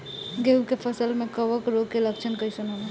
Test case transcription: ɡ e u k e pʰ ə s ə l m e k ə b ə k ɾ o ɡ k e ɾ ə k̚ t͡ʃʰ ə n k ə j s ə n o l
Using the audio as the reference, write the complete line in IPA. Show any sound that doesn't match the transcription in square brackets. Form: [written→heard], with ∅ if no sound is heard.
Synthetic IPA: ɡ e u k e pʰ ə s ə l m e k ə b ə k ɾ o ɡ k e [ɾ→l] ə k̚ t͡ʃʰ ə n k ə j s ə n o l